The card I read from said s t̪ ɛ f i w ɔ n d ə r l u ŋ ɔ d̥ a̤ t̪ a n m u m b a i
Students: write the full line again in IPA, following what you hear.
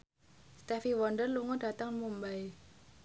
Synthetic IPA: s t̪ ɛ f i w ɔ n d ə r l u ŋ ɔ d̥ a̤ t̪ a ŋ m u m b a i